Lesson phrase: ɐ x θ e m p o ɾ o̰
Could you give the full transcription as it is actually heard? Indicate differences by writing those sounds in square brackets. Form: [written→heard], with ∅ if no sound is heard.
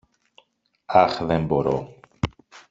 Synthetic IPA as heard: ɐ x [θ→ð] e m [p→b] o ɾ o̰